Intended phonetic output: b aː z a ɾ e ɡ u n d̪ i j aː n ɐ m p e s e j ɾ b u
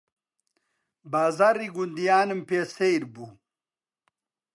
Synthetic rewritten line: b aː z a ɾ i ɡ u n d̪ i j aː n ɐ m p e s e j ɾ b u